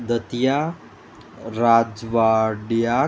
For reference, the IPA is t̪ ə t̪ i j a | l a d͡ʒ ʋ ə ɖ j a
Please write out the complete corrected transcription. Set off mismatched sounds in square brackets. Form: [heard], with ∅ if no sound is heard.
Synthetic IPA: [d̪] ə t̪ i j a | [ɾ] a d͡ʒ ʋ [a] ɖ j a